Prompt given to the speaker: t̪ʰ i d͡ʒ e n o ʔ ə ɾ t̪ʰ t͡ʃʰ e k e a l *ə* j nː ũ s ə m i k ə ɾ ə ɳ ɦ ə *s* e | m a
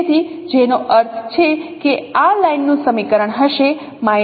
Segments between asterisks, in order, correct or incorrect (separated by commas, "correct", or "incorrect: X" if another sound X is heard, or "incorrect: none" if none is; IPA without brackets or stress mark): incorrect: a, incorrect: ʃ